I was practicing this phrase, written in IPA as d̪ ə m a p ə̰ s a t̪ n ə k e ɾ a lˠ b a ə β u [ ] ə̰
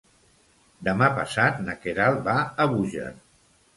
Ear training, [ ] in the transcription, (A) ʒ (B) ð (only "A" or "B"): A